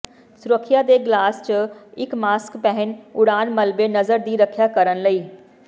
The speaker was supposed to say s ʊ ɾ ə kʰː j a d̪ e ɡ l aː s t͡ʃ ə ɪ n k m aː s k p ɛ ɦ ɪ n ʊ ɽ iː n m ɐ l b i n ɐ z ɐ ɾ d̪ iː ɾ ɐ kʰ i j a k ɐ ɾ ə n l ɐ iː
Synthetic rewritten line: s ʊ ɾ ə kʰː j a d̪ e ɡ l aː s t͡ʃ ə ɪ k m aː s k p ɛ ɦ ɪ n ʊ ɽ aː n m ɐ l b e n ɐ z ə ɾ d̪ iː ɾ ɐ kʰ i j a k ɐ ɾ ə n l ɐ iː